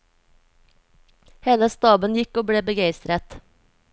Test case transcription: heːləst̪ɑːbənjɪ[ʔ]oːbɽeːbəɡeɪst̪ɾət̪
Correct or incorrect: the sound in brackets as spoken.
incorrect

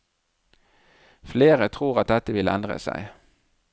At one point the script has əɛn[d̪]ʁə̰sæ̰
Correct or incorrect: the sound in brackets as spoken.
correct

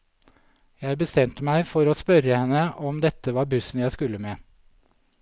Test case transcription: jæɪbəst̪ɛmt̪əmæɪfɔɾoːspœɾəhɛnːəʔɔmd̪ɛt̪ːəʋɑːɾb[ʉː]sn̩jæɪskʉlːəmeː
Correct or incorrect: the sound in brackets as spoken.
incorrect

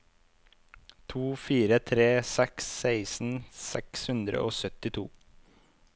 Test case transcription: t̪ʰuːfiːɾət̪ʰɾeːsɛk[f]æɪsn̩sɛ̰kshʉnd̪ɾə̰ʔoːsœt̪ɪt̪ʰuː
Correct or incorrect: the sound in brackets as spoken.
incorrect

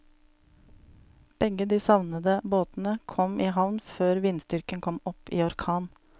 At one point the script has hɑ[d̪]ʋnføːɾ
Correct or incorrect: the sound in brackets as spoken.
incorrect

